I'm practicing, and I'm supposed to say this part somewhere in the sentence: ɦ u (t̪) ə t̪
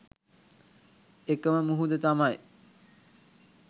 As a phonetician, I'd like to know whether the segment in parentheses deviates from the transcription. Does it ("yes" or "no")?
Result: yes